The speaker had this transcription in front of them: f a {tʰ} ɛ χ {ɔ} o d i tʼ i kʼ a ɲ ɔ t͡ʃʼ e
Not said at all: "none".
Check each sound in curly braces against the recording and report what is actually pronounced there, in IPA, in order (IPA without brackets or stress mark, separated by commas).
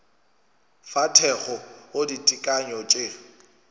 tʰ, ɔ